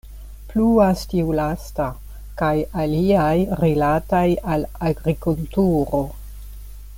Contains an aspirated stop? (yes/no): no